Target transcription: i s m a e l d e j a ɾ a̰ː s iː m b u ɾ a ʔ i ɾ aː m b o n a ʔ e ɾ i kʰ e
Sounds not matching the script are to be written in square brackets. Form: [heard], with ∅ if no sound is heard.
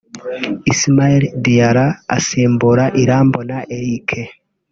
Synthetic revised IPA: i s m a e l d [i] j a ɾ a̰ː s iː m b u ɾ a ʔ i ɾ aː m b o n a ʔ e ɾ i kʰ e